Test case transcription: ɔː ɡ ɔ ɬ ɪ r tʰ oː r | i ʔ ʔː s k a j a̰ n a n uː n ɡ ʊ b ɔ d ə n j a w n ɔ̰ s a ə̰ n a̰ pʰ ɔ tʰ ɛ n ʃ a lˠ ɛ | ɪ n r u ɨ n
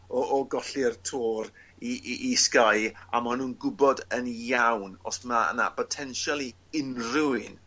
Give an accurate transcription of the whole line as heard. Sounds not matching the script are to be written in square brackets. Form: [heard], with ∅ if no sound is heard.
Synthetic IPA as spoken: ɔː ɡ ɔ ɬ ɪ r tʰ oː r | i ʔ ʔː s k a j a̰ [m] a n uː n ɡ ʊ b ɔ d ə n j a w n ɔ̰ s a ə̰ n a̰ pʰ ɔ tʰ ɛ n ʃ a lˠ [i] | ɪ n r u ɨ n